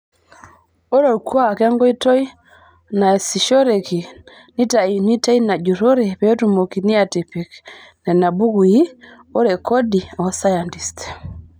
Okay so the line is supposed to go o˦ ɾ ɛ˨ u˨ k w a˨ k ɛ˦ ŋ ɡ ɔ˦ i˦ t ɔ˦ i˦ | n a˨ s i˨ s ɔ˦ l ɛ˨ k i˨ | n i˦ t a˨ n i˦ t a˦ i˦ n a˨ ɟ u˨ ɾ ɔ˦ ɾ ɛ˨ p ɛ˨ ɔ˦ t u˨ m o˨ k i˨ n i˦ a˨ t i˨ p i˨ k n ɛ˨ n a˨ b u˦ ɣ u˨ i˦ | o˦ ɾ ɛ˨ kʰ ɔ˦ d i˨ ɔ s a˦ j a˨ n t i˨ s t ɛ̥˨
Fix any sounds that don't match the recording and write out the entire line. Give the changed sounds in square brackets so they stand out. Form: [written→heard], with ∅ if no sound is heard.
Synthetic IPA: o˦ ɾ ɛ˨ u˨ k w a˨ k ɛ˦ ŋ ɡ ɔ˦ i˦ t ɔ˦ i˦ | n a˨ s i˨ [s→ʃ] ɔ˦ [l→ɾ] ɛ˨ k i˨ | n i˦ t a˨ n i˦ t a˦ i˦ n a˨ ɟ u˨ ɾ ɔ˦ ɾ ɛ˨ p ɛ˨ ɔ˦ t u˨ m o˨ k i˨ n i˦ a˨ t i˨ p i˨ k n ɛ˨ n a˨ b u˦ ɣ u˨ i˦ | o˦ ɾ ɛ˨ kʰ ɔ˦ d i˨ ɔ s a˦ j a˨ n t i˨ s t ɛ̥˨